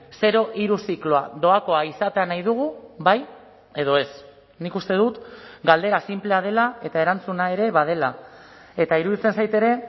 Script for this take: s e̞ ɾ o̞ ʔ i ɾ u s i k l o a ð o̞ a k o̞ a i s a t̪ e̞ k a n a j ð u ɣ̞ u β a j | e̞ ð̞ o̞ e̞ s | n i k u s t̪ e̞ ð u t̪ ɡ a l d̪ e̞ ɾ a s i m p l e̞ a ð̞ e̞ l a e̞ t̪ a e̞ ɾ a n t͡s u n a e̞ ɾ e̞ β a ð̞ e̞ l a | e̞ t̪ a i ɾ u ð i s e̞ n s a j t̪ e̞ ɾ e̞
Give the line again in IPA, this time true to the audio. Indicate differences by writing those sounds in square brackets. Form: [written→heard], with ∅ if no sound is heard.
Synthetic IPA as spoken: s e̞ ɾ o̞ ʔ i ɾ u s i k l o a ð o̞ a k o̞ a i s a t̪ e̞ [k→∅] a n a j ð u ɣ̞ u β a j | e̞ ð̞ o̞ e̞ s | n i k u s t̪ e̞ ð u t̪ ɡ a l d̪ e̞ ɾ a s i m p l e̞ a ð̞ e̞ l a e̞ t̪ a e̞ ɾ a n t͡s u n a e̞ ɾ e̞ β a ð̞ e̞ l a | e̞ t̪ a i ɾ u ð i [s→t͡s] e̞ n s a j t̪ e̞ ɾ e̞